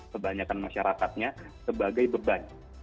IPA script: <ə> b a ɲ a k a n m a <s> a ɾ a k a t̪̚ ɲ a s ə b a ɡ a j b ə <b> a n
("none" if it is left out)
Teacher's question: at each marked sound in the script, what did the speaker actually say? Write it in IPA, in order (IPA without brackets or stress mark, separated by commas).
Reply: ə, ʃ, b